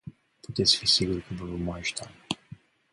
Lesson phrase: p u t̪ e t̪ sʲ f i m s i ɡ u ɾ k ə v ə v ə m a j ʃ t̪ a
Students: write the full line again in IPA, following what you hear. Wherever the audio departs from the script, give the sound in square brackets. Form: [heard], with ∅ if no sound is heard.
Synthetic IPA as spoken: p u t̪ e t̪ sʲ f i [∅] s i ɡ u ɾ k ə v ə v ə m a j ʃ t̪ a

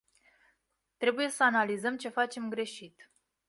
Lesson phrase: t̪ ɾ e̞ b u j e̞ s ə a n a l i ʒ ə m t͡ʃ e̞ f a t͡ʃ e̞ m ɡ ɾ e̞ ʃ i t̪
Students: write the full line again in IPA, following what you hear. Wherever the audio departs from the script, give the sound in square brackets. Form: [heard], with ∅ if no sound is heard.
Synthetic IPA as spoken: t̪ ɾ e̞ b u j e̞ s ə a n a l i [z] ə m t͡ʃ e̞ f a t͡ʃ e̞ m ɡ ɾ e̞ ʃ i t̪

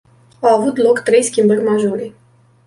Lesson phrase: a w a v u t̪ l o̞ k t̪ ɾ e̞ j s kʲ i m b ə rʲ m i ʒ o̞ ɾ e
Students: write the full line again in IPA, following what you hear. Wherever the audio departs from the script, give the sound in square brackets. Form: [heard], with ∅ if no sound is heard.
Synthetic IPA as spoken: a w a v u t̪ l o̞ k t̪ ɾ e̞ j s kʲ i m b ə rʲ m [a] ʒ o̞ ɾ e

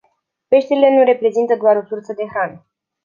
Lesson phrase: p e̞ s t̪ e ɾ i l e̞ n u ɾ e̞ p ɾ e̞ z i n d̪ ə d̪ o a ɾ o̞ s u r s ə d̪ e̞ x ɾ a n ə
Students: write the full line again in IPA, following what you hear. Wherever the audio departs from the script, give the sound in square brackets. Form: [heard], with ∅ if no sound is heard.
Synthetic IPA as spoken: p e̞ [ʃ] t̪ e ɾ i l e̞ n u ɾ e̞ p ɾ e̞ z i n [t̪] ə d̪ o a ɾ o̞ s u r s ə d̪ e̞ x ɾ a n ə

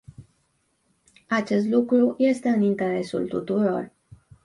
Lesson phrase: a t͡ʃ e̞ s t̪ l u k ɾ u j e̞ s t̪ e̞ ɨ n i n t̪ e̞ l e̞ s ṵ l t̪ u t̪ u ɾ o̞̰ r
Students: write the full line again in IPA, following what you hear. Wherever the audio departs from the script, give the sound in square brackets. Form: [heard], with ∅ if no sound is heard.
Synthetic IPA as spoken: a t͡ʃ e̞ s t̪ l u k ɾ u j e̞ s t̪ e̞ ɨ n i n t̪ e̞ [ɾ] e̞ s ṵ l t̪ u t̪ u ɾ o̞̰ r

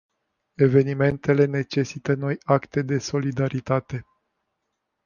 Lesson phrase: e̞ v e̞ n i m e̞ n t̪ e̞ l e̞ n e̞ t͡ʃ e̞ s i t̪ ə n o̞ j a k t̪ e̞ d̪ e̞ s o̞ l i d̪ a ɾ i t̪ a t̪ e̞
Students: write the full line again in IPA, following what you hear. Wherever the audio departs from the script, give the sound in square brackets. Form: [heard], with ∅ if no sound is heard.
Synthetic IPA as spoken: e̞ v e̞ n i m e̞ n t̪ e̞ l e̞ n e̞ t͡ʃ e̞ s i t̪ ə n o̞ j a k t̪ e̞ d̪ e̞ s o̞ l i d̪ a ɾ i t̪ a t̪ e̞

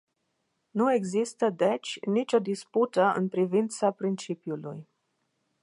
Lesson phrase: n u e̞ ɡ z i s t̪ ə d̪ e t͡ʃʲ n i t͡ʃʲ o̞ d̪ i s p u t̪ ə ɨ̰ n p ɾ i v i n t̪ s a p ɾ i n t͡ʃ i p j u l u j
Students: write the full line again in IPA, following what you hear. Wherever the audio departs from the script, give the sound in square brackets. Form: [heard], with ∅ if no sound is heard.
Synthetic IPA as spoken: n u e̞ ɡ z i s t̪ ə d̪ e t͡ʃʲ n i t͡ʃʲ o̞ d̪ i s p u t̪ ə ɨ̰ n p ɾ i v i n t̪ s a p ɾ i n t͡ʃ i p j u l u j

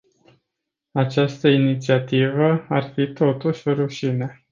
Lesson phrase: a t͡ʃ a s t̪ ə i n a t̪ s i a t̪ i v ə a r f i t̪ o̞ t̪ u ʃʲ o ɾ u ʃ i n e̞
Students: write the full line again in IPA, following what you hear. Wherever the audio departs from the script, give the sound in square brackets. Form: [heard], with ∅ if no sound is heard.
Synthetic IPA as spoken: a t͡ʃ a s t̪ ə i n [i] t̪ s i a t̪ i v ə a r f i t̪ o̞ t̪ u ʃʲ o ɾ u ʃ i n e̞

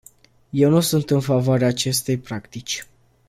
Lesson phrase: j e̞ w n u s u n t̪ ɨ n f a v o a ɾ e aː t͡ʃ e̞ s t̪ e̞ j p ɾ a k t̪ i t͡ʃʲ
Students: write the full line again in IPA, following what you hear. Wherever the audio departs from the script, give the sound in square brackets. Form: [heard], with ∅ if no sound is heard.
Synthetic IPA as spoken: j e̞ w n u s u n t̪ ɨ n f a v o a ɾ e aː t͡ʃ e̞ s t̪ e̞ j p ɾ a k t̪ i t͡ʃʲ

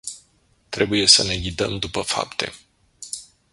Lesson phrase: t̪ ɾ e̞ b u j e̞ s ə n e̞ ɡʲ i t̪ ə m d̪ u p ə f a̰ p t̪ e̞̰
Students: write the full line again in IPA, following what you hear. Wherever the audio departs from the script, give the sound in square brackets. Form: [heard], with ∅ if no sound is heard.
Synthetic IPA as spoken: t̪ ɾ e̞ b u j e̞ s ə n e̞ ɡʲ i [d̪] ə m d̪ u p ə f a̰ p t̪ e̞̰

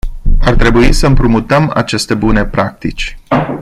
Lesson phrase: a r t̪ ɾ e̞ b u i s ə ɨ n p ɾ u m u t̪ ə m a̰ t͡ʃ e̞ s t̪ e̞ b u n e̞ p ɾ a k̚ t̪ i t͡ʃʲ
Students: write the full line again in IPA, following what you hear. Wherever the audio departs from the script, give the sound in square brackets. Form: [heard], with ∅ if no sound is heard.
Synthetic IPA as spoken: a r t̪ ɾ e̞ b u i s ə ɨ [m] p ɾ u m u t̪ ə m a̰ t͡ʃ e̞ s t̪ e̞ b u n e̞ p ɾ a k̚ t̪ i t͡ʃʲ

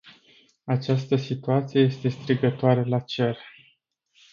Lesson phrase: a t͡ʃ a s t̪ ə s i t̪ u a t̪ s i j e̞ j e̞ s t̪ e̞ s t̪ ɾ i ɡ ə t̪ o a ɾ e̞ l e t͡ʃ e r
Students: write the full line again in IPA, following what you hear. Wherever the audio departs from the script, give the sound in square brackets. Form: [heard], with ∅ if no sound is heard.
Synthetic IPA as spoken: a t͡ʃ a s t̪ ə s i t̪ u a t̪ s i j e̞ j e̞ s t̪ e̞ s t̪ ɾ i ɡ ə t̪ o a ɾ e̞ l [a] t͡ʃ e r

